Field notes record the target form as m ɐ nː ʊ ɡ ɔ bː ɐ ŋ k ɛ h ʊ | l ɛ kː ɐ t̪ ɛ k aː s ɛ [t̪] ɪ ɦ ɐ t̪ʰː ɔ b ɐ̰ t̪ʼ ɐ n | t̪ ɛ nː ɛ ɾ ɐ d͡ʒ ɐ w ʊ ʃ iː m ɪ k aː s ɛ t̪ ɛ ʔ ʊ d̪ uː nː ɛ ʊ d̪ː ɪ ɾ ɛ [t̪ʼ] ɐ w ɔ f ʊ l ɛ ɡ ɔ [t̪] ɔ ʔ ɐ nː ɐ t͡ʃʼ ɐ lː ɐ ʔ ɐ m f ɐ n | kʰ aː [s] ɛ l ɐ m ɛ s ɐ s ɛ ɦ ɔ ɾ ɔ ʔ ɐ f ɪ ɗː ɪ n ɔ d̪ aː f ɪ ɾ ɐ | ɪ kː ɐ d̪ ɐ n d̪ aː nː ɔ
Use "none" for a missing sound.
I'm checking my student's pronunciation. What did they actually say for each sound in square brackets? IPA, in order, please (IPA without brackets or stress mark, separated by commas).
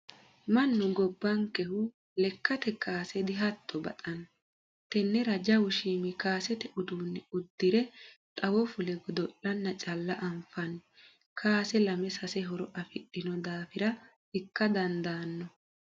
d̪, t̪ʼ, d̪, s